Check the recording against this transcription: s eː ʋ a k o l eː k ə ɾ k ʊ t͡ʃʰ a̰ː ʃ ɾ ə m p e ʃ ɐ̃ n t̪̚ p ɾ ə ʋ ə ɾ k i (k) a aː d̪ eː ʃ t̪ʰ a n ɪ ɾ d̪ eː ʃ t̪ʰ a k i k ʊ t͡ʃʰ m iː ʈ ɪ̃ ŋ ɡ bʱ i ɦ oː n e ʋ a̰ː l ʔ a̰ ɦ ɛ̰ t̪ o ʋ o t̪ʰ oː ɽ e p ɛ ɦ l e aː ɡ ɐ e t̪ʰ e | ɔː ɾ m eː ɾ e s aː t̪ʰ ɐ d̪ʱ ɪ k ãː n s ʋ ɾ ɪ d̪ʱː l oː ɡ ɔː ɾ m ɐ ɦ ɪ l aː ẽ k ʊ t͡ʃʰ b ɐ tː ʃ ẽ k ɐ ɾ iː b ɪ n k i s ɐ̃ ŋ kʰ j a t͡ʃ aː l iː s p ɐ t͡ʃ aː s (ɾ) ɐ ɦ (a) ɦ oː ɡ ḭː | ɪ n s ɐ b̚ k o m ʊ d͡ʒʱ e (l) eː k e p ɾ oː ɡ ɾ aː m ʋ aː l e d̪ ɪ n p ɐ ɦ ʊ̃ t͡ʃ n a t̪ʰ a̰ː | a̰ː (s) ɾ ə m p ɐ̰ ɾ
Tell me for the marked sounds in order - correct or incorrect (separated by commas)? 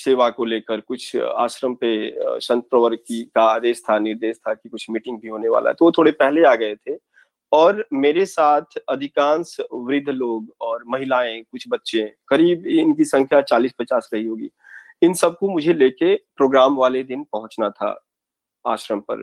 correct, correct, incorrect, correct, incorrect